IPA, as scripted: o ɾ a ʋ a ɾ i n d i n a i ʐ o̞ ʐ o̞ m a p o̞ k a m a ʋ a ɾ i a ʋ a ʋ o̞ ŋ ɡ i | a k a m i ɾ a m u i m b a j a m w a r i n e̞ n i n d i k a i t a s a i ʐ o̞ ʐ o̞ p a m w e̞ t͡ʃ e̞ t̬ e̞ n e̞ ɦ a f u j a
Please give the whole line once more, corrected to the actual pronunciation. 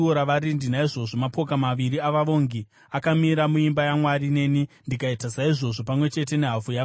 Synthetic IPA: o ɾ a ʋ a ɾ i n d i n a i ʐ o̞ ʐ o̞ m a p o̞ k a m a ʋ i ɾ i a ʋ a ʋ o̞ ŋ ɡ i | a k a m i ɾ a m u i m b a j a m w a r i n e̞ n i n d i k a i t a s a i ʐ o̞ ʐ o̞ p a m w e̞ t͡ʃ e̞ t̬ e̞ n e̞ ɦ a f u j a